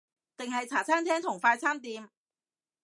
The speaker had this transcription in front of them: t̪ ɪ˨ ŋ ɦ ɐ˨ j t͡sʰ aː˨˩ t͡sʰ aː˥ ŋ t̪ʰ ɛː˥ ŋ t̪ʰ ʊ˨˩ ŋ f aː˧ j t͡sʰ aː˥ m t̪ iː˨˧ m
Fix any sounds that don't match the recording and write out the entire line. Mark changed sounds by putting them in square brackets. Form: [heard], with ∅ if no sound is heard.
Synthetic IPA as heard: t̪ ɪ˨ ŋ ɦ ɐ˨ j t͡sʰ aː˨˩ t͡sʰ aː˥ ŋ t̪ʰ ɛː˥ ŋ t̪ʰ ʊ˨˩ ŋ f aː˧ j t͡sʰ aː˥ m t̪ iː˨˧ m